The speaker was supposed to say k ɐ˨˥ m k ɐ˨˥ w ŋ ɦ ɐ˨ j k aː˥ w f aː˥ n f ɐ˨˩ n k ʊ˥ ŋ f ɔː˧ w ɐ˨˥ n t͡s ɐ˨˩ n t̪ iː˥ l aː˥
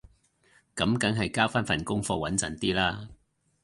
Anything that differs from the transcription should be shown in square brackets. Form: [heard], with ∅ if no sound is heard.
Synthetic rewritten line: k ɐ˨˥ m k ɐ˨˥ [∅] ŋ ɦ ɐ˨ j k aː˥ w f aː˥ n f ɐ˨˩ n k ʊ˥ ŋ f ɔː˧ w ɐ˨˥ n t͡s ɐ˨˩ n t̪ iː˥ l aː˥